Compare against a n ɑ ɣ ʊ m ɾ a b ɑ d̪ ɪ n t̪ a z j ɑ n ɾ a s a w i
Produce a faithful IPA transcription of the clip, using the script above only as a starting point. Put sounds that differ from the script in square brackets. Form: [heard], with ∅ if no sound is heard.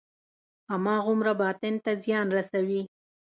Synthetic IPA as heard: a [m] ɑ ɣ ʊ m ɾ a b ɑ [t̪] ɪ n t̪ a z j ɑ n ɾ a s a w i